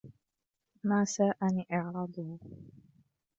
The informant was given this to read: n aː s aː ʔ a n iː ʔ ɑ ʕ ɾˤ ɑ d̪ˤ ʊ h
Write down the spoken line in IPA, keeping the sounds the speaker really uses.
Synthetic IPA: m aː s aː ʔ a n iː ʔ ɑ ʕ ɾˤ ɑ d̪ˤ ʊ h